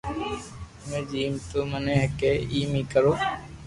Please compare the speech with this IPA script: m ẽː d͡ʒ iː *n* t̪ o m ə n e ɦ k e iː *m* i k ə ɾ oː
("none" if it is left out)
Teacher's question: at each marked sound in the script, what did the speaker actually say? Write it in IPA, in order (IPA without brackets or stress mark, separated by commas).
m, m